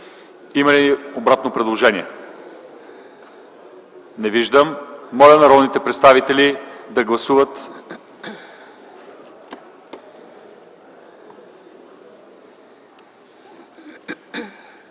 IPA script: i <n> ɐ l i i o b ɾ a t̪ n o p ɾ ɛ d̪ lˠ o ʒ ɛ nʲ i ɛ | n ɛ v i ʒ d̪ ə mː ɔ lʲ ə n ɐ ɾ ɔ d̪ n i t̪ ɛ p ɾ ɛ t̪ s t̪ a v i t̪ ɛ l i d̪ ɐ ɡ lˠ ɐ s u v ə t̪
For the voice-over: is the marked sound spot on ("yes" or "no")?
no